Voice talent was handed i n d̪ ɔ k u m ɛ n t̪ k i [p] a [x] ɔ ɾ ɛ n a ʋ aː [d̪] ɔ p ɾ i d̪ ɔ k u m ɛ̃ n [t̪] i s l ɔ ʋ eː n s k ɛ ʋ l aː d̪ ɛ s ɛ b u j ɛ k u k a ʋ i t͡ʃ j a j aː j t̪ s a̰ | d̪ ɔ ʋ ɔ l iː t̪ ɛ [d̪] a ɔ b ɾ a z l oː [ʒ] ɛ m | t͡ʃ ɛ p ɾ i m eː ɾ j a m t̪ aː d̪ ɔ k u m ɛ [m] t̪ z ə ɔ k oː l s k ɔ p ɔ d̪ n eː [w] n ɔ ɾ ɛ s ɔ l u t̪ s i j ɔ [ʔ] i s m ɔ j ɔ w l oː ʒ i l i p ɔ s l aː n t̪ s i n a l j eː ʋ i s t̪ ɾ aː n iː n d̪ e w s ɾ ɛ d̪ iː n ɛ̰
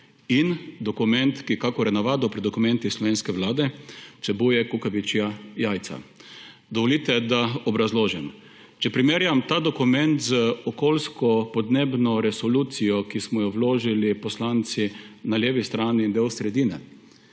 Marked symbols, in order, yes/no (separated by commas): no, no, yes, yes, yes, yes, no, no, no